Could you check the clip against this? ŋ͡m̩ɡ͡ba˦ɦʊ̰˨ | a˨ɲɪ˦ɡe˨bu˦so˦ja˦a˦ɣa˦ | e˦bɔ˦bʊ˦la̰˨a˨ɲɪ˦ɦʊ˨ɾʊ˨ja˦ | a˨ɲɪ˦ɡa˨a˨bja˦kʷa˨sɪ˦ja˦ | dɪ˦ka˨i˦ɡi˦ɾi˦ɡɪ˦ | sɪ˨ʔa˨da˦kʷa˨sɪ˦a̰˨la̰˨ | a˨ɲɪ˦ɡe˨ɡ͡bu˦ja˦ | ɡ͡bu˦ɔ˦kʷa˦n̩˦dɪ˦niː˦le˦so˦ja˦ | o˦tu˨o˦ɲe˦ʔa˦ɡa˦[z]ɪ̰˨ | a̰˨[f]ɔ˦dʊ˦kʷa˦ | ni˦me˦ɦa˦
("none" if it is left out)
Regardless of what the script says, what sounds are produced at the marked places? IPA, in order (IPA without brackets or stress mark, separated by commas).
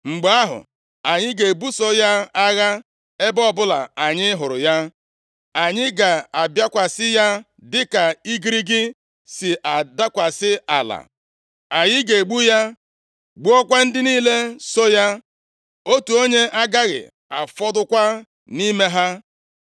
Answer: ɣ, f